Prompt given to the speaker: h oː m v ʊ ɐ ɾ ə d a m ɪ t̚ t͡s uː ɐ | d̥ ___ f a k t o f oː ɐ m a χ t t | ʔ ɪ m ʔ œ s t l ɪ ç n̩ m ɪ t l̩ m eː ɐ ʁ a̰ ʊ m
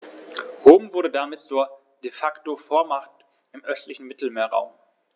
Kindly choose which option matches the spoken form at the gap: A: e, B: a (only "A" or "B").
A